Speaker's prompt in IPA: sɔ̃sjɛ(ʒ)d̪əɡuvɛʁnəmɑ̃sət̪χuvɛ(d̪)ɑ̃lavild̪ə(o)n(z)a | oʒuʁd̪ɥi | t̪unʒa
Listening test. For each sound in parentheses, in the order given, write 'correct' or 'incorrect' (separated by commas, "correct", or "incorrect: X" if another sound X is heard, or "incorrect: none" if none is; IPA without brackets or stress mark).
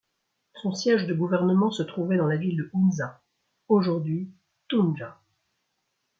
correct, correct, incorrect: u, correct